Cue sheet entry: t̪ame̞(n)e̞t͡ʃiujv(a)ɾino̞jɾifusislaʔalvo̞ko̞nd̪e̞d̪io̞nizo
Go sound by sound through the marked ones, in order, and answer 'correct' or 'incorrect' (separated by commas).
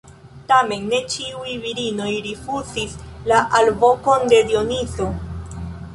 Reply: incorrect, incorrect